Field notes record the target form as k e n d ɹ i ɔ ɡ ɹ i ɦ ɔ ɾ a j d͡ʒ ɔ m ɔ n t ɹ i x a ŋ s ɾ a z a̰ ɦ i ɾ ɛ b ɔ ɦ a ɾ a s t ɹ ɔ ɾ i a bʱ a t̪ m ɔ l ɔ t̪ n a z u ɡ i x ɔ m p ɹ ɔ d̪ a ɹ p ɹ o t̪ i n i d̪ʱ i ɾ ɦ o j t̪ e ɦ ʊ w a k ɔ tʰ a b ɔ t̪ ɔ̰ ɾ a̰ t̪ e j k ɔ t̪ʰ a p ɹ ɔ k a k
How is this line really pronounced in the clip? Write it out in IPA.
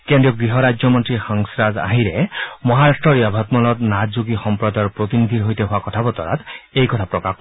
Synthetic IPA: k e n d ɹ i ɔ ɡ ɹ i ɦ ɔ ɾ a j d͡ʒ ɔ m ɔ n t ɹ i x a ŋ s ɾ a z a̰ ɦ i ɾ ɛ m ɔ ɦ a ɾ a s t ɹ ɔ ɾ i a bʱ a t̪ m ɔ l ɔ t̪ n a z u ɡ i x ɔ m p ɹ ɔ d̪ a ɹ p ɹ o t̪ i n i d̪ʱ i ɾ ɦ o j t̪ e ɦ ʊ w a k ɔ tʰ a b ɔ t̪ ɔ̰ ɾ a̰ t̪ e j k ɔ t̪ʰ a p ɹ ɔ k a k